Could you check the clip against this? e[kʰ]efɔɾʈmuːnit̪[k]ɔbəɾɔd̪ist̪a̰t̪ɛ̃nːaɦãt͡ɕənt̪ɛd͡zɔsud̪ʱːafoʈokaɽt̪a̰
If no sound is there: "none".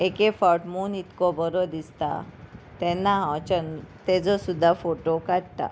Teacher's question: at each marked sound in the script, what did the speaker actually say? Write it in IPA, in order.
k, k

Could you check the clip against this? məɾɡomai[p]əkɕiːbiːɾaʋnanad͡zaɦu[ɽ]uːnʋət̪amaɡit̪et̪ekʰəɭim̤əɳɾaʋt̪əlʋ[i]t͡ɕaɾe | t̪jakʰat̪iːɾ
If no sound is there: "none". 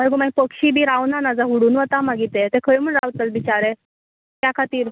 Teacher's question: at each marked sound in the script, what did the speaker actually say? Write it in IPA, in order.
p, ɽ, i

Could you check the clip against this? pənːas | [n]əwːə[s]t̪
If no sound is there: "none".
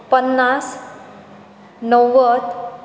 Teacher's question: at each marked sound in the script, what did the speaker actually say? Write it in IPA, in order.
n, none

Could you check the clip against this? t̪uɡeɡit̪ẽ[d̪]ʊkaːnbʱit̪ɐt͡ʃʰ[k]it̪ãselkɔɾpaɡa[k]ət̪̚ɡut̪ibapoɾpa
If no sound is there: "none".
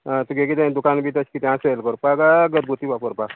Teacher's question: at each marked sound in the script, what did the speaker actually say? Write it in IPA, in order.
d̪, k, ɡ

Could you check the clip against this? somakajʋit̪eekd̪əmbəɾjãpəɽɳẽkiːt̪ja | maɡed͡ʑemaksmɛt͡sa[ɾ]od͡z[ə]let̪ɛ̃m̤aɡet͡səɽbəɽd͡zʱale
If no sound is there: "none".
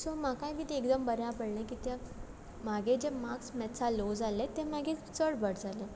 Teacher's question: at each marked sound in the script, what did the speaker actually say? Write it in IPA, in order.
l, a

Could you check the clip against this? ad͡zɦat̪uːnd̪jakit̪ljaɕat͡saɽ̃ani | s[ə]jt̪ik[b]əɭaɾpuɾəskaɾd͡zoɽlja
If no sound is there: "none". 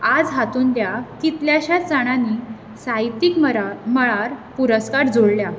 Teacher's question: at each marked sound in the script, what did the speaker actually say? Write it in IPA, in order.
a, m

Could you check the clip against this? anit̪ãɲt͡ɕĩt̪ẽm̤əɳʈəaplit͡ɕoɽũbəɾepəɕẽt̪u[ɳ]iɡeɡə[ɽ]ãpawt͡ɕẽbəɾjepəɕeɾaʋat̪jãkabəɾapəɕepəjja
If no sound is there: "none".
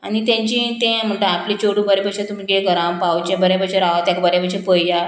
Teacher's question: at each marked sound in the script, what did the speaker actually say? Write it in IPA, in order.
m, ɾ

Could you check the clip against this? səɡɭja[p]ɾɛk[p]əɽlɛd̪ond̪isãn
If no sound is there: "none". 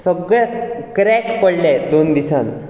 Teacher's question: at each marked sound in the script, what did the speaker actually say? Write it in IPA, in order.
k, p

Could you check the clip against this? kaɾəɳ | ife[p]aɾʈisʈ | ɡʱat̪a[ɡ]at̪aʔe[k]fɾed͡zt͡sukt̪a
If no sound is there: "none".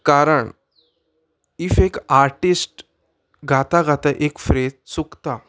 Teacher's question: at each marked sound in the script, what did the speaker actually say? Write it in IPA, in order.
k, ɡ, k

